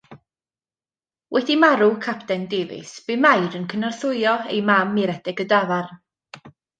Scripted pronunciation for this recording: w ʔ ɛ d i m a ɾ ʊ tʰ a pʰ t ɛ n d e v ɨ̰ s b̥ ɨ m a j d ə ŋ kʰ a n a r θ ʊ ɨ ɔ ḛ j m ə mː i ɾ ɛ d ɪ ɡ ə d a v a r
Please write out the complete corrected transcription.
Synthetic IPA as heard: w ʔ ɛ d i m a ɾ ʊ kʰ a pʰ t ɛ n d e v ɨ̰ s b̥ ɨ m a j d ə n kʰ ə n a r θ ʊ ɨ ɔ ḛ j m a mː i ɾ ɛ d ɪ ɡ ə d a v a r

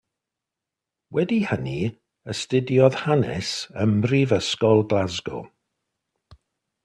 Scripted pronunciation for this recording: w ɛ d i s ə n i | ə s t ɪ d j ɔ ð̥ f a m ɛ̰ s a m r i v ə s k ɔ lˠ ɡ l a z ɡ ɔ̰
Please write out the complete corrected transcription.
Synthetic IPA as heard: w ɛ d i h ə n i | ə s t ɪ d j ɔ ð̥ h a n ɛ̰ s ə m r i v ə s k ɔ lˠ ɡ l a z ɡ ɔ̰

